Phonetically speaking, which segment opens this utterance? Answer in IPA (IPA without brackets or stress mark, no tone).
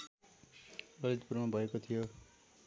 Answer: ʌ